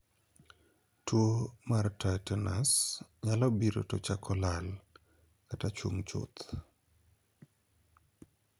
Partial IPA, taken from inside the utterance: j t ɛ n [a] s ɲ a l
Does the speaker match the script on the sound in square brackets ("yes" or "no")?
yes